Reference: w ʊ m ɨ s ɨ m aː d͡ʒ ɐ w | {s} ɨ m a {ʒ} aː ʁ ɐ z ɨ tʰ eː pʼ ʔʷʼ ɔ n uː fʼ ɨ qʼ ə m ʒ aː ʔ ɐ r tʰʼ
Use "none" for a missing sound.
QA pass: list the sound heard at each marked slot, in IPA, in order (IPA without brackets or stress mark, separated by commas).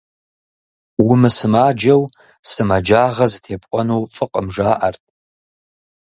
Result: s, d͡ʒ